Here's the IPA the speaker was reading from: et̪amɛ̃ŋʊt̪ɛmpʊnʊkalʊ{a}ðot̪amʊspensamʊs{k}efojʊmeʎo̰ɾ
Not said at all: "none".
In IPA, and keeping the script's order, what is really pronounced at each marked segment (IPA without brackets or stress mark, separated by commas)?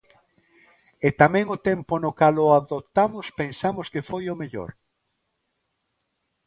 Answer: a, k